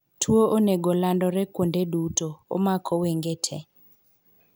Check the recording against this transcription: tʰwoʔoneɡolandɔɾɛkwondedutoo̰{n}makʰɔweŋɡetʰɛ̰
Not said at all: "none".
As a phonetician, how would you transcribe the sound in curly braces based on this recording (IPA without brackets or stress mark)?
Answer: none